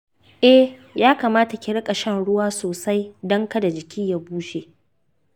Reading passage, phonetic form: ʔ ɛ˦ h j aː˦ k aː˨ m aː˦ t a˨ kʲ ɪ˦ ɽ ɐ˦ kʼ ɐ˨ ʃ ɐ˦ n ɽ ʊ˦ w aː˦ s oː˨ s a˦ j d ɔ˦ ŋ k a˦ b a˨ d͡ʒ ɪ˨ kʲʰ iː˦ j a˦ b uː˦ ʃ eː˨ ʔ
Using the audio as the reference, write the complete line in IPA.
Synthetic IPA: ʔ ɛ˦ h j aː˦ k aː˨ m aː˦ t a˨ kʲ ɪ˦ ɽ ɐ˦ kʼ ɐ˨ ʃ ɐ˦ n ɽ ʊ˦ w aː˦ s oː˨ s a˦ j d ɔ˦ ŋ k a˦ d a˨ d͡ʒ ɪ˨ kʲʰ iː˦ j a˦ b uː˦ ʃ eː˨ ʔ